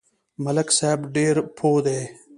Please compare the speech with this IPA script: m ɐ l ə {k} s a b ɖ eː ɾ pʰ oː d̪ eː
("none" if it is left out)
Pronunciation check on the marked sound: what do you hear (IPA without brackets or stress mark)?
k